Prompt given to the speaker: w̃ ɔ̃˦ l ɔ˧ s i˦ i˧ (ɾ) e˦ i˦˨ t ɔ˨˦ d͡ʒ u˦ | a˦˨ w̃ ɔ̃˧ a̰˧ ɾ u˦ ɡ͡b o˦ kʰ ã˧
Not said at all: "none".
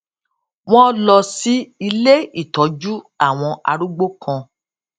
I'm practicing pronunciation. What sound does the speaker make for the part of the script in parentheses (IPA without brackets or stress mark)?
l